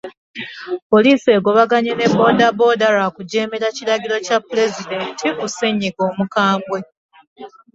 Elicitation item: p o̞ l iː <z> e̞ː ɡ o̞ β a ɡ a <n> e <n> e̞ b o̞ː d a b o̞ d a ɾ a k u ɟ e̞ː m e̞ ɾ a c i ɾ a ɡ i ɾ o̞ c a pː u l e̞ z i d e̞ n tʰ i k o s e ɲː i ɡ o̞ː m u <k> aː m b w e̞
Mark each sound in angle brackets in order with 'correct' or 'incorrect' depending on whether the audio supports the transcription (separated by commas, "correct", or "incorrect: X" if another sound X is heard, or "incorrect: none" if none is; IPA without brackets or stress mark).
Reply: incorrect: s, incorrect: ɲ, correct, correct